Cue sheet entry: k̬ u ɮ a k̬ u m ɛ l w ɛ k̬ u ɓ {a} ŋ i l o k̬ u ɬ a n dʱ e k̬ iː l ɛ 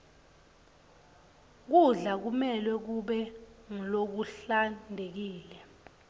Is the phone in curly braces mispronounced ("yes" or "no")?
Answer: yes